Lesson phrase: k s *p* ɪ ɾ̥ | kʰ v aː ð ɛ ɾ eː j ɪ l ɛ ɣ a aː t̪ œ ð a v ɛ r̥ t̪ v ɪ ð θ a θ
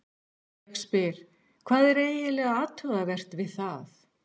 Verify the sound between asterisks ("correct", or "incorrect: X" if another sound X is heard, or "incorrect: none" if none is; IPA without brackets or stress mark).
correct